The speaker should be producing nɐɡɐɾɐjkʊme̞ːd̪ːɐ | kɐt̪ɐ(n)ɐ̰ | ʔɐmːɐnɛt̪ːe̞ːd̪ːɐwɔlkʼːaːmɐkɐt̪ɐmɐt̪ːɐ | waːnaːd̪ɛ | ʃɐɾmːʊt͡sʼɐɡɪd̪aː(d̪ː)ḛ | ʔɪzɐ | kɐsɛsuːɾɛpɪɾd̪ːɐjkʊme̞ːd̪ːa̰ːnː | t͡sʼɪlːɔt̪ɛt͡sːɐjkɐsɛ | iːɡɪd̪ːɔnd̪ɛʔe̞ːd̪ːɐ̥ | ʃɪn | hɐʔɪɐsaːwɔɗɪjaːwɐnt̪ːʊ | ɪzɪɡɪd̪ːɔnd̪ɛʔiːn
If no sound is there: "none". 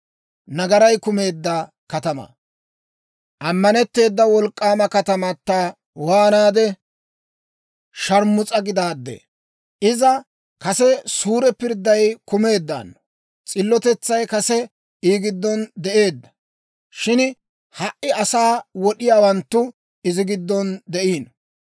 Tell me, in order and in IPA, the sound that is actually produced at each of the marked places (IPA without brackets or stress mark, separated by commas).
m, d̪ː